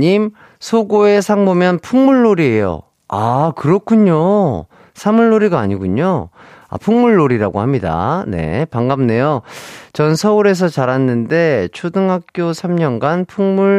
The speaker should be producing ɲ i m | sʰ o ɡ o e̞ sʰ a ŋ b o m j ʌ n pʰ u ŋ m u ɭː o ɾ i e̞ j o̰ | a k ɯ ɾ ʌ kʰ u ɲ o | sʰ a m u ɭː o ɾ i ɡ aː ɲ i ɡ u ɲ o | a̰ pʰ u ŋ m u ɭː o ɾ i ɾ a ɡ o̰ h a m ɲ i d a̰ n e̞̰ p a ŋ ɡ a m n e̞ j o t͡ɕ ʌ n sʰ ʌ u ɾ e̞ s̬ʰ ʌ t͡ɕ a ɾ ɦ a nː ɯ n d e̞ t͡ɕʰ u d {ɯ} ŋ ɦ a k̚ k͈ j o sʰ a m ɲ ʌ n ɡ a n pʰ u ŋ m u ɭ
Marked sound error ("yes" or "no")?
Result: no